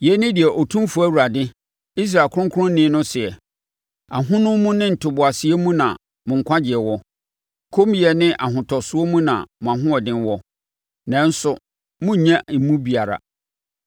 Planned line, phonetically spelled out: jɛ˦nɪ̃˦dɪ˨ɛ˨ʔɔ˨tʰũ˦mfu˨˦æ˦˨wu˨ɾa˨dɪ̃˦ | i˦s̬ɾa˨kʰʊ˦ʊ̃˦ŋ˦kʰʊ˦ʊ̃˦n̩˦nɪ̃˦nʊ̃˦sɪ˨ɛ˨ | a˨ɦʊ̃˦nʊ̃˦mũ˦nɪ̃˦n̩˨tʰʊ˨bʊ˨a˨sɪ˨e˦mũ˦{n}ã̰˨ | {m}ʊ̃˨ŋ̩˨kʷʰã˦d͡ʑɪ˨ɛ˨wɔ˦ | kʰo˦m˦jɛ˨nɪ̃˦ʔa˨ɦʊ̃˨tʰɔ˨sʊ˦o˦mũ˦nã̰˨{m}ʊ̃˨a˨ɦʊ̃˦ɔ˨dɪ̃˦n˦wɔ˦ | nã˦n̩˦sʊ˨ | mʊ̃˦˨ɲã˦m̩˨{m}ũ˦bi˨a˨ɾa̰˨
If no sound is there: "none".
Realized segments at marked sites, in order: n, m, m, m

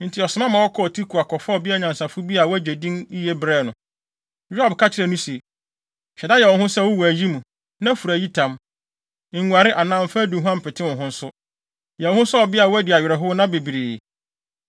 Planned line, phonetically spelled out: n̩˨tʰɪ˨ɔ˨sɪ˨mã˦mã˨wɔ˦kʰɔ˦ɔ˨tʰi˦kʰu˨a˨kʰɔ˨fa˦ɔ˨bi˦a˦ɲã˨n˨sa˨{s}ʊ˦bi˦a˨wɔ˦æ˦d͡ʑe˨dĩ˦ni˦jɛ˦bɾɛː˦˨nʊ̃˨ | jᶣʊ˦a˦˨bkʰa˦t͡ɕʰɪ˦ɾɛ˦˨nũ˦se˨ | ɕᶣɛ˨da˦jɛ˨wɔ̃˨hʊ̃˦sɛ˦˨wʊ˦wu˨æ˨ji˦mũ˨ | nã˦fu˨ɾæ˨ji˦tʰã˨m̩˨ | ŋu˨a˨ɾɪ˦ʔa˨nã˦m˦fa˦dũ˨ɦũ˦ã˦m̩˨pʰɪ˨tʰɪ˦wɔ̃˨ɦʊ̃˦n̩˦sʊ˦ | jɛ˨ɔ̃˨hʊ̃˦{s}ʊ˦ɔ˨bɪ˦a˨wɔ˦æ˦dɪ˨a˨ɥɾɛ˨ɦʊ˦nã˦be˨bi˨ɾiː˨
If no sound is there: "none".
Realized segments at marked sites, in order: f, s

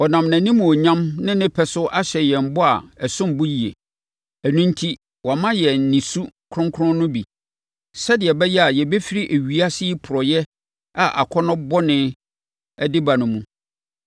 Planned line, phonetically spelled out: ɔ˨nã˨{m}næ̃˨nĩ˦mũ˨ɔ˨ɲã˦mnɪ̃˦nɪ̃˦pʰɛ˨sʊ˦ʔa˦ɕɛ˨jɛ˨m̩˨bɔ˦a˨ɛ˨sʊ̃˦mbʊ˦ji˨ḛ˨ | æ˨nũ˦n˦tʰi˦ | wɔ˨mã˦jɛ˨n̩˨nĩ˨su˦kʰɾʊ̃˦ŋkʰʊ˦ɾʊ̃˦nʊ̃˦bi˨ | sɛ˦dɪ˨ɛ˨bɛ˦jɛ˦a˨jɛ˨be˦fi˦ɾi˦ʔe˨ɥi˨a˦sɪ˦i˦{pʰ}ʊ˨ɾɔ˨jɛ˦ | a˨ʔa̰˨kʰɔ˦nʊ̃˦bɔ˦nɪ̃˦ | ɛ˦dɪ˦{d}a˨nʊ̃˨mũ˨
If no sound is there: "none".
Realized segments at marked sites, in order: m, pʰ, b

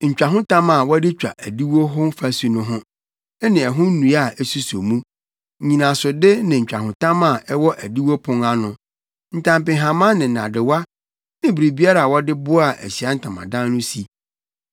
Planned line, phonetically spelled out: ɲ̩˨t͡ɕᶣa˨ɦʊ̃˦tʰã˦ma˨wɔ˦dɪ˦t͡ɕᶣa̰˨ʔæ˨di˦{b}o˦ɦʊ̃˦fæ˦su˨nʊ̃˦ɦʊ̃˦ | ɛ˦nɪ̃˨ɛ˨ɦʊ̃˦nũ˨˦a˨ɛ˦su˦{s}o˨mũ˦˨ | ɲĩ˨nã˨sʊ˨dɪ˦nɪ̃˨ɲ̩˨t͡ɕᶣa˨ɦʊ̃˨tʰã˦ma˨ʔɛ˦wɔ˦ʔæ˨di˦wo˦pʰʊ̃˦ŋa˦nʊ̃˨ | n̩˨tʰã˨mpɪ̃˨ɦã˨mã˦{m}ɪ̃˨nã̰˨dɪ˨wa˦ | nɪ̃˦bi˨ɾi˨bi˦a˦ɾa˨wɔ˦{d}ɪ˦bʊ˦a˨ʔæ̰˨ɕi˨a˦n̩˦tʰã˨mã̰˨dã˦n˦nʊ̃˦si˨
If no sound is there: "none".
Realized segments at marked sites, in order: w, s, n, d

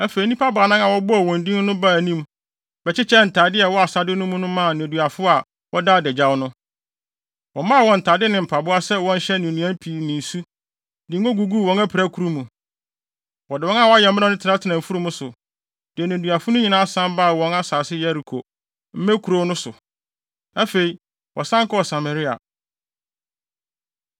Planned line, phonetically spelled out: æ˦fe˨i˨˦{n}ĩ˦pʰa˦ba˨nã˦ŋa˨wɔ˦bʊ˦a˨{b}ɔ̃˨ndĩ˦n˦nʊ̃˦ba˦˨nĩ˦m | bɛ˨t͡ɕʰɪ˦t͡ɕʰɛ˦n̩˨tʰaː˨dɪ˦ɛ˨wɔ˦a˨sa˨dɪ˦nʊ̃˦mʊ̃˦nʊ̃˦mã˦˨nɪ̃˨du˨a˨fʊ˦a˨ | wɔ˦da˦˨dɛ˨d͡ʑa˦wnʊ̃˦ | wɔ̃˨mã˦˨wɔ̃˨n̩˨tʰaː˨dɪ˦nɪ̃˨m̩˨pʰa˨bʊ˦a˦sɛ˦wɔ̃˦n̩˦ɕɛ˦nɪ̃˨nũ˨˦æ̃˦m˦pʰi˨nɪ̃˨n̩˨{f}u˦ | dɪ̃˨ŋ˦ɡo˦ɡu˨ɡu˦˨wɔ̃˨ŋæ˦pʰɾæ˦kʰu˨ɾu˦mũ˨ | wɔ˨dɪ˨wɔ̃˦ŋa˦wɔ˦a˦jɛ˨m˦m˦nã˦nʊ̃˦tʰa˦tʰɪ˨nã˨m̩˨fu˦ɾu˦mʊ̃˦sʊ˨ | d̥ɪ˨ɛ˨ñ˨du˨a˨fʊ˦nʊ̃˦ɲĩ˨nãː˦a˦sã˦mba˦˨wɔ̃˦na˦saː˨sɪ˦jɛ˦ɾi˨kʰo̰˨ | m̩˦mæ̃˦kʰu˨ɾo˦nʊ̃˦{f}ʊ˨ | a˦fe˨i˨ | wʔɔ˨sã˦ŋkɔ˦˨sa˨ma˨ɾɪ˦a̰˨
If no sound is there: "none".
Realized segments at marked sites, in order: n, w, s, s

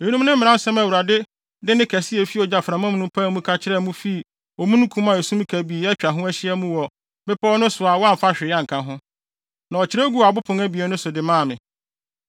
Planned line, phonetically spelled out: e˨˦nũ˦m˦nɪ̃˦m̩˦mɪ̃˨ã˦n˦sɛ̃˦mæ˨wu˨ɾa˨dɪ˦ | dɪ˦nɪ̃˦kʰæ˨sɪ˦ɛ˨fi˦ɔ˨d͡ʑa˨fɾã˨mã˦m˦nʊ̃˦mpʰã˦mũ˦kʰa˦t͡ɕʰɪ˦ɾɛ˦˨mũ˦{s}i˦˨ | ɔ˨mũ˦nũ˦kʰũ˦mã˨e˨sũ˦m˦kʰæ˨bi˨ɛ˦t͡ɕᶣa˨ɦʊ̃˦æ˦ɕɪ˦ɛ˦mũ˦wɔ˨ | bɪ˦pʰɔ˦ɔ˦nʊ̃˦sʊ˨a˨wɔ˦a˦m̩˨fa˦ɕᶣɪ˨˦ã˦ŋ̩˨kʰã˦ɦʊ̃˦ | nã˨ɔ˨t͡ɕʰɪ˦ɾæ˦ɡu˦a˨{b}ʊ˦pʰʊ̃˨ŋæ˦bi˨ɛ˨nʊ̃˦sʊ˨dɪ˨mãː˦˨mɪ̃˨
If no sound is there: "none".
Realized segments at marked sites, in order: f, b

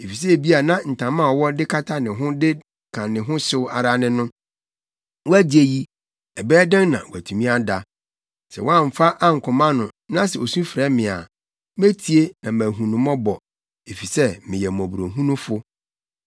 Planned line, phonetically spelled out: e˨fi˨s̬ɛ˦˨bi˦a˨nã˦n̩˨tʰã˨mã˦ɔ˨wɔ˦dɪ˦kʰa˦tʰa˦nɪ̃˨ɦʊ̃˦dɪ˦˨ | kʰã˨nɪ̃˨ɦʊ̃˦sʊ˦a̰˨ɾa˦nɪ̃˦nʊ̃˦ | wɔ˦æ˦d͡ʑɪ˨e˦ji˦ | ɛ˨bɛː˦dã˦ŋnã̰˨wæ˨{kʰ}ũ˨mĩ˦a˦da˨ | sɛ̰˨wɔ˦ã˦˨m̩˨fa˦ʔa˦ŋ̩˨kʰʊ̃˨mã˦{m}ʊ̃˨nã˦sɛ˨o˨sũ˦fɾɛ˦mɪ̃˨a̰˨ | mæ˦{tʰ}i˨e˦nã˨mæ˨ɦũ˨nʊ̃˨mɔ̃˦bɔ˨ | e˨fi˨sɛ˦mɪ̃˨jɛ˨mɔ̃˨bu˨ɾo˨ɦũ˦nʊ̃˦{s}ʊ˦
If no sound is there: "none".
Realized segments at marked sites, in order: tʰ, n, tʰ, f

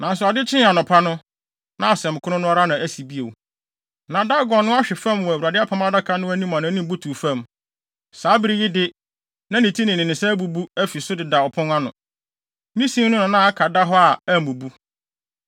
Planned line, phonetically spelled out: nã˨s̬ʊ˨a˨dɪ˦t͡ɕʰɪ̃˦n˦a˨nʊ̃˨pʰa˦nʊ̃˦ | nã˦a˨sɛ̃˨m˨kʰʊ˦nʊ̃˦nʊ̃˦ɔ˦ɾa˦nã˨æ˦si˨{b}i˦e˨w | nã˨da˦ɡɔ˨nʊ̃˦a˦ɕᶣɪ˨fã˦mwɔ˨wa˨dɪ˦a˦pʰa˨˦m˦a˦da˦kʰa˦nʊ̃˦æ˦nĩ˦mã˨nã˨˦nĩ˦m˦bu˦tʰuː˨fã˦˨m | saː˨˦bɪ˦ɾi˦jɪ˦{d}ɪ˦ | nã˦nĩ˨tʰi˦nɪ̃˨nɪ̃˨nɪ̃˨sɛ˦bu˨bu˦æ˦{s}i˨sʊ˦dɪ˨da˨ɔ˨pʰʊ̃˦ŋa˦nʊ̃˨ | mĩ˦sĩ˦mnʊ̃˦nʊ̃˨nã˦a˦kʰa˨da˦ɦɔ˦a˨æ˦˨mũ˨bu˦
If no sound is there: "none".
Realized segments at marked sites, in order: b, d, f

